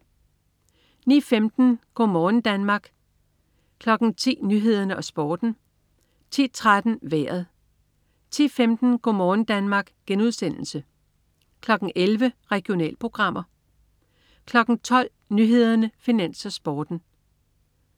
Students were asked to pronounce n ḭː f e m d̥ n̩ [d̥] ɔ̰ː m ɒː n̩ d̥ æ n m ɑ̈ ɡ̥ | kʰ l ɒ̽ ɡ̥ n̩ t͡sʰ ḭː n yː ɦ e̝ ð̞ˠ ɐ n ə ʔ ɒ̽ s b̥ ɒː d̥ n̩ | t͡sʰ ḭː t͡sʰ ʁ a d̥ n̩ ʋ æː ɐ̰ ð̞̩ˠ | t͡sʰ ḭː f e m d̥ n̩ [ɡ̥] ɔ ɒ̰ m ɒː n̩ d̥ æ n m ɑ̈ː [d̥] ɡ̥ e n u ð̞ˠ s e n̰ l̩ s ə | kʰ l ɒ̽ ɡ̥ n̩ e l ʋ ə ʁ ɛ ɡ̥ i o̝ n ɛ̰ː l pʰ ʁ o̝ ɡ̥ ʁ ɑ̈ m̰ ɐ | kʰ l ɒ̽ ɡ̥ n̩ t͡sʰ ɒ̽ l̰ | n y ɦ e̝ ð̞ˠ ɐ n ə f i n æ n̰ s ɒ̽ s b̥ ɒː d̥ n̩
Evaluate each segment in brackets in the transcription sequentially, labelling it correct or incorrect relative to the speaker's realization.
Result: incorrect, correct, incorrect

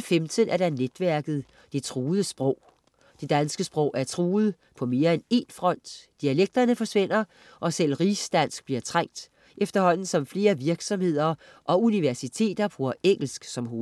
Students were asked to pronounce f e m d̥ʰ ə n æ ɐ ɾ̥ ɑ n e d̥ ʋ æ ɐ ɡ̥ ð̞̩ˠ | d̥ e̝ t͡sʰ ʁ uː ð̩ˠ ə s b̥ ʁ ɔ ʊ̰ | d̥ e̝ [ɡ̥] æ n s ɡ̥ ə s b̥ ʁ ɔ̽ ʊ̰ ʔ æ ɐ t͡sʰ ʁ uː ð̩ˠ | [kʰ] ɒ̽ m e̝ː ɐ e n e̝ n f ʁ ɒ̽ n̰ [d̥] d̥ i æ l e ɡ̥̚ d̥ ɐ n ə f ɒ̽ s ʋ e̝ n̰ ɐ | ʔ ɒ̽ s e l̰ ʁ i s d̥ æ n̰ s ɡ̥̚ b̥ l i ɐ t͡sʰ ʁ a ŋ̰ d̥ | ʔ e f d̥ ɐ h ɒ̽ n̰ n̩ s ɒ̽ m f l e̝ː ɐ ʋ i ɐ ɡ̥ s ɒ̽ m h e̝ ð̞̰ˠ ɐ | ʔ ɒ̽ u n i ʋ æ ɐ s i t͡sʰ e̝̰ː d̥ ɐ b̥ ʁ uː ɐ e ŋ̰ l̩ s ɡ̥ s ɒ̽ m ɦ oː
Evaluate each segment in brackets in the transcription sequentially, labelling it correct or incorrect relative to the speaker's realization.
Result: incorrect, incorrect, correct

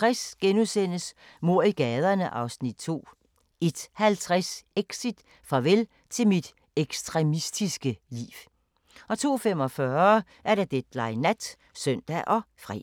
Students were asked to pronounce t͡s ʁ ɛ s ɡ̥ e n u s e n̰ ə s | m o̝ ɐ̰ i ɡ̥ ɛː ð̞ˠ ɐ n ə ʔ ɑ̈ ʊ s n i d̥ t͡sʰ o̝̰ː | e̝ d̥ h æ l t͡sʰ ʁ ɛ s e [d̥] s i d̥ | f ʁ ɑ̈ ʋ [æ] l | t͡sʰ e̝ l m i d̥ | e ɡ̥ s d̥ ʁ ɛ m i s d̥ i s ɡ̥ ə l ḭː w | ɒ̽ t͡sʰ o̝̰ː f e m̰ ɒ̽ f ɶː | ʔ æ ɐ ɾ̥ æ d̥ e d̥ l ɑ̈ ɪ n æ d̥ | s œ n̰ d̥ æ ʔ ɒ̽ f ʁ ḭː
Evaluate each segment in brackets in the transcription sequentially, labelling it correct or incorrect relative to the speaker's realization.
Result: incorrect, incorrect

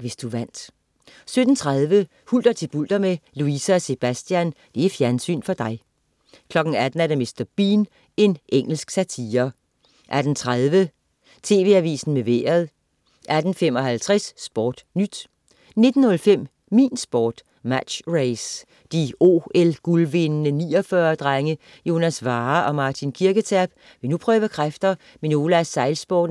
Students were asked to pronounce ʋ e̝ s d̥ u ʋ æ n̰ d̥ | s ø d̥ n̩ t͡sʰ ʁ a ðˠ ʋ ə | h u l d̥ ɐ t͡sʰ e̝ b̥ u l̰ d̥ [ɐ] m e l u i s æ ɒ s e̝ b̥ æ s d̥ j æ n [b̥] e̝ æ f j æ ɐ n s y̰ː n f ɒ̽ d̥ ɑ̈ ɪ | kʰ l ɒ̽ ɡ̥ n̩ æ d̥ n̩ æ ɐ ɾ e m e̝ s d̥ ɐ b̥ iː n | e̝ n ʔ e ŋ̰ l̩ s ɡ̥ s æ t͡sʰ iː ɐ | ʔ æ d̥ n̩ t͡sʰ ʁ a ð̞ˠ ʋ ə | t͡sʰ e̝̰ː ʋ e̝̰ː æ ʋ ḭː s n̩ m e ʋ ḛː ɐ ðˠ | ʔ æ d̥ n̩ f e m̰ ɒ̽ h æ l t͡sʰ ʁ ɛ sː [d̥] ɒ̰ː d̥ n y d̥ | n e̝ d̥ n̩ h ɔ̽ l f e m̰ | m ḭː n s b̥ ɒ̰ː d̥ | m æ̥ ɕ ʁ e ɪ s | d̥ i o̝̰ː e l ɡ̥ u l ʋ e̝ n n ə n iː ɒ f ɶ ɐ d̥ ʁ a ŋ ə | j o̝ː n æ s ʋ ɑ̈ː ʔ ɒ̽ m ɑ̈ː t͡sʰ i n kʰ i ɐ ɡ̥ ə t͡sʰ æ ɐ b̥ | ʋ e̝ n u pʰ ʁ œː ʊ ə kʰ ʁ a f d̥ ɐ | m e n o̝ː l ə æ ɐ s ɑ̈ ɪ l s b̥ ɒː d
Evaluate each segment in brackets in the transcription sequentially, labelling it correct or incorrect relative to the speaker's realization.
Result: correct, incorrect, incorrect

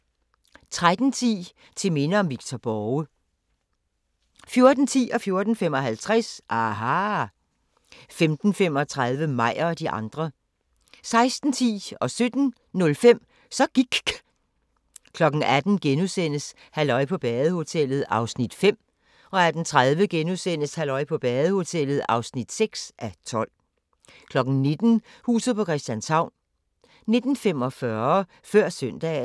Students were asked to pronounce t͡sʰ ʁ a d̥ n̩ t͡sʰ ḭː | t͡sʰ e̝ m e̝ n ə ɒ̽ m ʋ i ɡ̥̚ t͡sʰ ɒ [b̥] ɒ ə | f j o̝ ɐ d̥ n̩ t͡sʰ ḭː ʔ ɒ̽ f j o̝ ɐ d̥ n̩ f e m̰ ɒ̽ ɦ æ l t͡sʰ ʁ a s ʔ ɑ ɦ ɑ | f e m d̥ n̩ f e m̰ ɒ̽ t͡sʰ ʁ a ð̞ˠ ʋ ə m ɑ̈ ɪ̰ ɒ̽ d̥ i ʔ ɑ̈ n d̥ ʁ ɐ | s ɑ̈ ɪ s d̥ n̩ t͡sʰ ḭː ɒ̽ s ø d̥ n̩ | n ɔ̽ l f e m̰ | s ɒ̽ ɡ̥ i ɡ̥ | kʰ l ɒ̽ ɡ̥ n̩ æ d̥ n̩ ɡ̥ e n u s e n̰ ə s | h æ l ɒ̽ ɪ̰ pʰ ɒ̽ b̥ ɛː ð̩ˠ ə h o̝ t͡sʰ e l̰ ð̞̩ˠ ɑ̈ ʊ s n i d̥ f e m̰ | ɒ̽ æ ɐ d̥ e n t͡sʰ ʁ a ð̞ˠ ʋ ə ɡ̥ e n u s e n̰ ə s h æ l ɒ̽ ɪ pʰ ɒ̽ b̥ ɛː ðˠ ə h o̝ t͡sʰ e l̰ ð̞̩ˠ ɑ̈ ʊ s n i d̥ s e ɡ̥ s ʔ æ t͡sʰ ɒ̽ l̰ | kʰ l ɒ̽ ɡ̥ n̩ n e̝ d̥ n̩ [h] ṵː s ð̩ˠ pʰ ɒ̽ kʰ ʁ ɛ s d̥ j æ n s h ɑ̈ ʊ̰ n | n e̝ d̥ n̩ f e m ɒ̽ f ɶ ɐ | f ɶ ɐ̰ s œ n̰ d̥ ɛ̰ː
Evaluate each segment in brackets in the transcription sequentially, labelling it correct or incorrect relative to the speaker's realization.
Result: correct, correct

